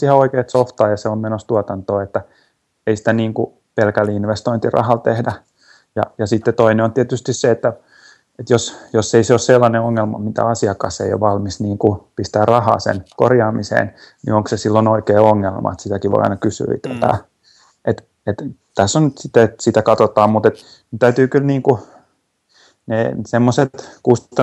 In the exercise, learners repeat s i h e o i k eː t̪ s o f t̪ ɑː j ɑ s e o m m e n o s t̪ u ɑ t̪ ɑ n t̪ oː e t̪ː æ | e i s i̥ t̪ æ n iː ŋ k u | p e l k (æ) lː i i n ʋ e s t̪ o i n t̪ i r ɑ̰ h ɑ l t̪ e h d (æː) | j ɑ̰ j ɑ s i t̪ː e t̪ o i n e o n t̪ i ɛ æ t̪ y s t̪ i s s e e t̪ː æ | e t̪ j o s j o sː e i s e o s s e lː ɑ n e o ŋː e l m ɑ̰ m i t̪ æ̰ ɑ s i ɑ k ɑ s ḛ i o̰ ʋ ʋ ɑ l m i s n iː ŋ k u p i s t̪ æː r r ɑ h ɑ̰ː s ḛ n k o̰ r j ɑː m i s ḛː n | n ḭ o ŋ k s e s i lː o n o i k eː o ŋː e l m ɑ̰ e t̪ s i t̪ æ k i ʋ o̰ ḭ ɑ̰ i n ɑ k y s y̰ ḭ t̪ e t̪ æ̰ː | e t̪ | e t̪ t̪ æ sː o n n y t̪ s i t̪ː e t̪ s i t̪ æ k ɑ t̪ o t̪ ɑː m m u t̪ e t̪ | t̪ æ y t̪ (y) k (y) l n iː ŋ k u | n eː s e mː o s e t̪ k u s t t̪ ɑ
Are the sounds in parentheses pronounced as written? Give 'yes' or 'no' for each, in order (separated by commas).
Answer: yes, no, no, yes